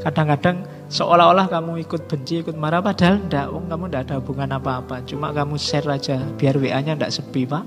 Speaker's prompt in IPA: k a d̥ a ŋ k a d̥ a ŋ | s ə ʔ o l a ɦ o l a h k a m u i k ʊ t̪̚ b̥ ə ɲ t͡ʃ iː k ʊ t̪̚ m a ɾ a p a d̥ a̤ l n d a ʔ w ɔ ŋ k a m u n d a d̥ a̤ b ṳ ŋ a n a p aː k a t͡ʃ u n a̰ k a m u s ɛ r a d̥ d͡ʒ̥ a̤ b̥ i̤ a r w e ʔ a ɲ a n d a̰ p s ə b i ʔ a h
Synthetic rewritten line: k a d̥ a ŋ k a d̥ a ŋ | s ə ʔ o l a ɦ o l a h k a m u i k ʊ t̪̚ b̥ ə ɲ t͡ʃ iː k ʊ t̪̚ m a ɾ a p a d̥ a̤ l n d a ʔ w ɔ ŋ k a m u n d a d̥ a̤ b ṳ ŋ a n a p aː p a t͡ʃ u m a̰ k a m u s ɛ r a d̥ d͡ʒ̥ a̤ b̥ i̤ a r w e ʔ a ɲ a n d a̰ ʔ s ə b i p a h